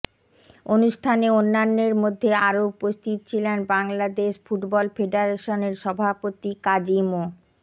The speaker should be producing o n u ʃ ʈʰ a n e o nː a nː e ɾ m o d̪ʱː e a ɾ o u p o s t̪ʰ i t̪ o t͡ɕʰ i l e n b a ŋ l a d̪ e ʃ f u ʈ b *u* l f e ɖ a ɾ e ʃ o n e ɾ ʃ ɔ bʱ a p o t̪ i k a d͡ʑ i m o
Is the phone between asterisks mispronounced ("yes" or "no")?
yes